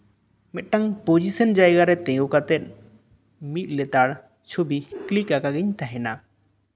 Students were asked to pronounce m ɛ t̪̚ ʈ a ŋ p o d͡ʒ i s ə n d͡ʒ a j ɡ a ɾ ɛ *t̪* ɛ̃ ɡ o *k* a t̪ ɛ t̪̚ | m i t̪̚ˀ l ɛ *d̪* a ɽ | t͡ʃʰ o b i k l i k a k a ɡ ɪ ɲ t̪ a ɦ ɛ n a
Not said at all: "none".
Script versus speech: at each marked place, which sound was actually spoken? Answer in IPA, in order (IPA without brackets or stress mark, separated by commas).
t̪, k, t̪